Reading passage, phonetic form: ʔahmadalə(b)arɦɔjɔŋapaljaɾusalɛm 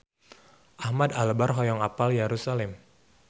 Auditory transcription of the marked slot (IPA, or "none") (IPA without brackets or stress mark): b